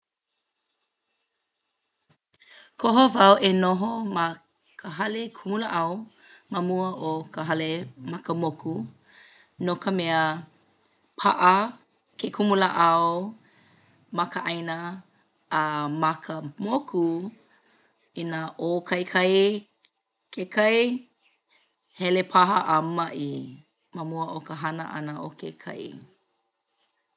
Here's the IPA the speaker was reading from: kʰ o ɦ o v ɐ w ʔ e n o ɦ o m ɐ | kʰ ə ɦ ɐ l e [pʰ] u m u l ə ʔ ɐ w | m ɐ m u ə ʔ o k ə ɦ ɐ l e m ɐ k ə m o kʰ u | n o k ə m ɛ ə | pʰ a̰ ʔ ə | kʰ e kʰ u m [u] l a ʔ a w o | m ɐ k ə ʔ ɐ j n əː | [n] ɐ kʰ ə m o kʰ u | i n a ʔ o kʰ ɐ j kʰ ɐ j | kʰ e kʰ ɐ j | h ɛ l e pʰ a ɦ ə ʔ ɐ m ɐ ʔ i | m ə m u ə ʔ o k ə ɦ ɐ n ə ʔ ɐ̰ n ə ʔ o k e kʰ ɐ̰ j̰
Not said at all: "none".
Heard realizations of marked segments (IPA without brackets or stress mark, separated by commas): kʰ, u, m